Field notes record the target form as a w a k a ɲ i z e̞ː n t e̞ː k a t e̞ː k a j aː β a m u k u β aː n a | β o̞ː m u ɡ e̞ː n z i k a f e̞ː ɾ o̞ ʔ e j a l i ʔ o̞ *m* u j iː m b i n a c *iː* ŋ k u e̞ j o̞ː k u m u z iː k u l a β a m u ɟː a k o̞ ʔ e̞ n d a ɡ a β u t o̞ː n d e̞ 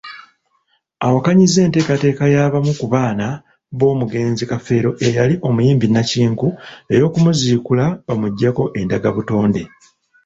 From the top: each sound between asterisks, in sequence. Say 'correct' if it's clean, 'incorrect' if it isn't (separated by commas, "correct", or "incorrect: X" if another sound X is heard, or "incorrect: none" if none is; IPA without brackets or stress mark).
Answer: correct, correct